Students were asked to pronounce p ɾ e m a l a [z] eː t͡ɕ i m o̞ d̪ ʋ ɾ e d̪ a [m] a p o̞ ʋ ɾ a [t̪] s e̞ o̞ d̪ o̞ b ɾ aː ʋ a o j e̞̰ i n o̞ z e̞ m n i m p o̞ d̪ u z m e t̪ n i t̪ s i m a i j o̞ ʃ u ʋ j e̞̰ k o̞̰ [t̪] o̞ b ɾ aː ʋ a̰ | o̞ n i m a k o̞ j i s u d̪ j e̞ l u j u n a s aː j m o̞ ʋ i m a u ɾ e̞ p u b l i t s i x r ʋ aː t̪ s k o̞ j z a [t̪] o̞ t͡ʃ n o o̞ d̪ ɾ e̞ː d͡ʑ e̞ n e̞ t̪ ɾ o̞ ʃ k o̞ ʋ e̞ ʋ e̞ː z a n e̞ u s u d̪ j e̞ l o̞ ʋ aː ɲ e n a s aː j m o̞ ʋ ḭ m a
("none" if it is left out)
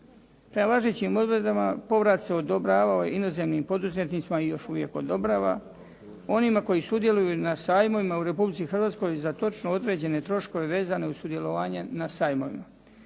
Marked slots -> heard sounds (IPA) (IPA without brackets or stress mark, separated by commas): ʒ, m, t̪, d̪, t̪